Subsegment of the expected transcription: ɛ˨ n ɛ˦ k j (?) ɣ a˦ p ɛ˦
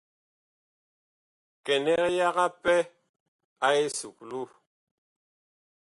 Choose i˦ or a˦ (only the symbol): a˦